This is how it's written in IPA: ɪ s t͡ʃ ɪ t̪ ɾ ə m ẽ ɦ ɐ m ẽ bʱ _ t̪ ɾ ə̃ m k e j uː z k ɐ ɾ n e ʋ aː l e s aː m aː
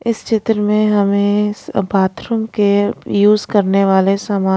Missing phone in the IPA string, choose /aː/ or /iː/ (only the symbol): aː